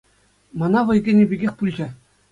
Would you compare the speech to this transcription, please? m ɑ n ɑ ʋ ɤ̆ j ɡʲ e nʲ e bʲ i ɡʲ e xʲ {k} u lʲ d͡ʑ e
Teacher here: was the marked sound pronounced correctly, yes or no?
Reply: no